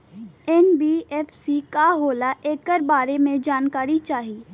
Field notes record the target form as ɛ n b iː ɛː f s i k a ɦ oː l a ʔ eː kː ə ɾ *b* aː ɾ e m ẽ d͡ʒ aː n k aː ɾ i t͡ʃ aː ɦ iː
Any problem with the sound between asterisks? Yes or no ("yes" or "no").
no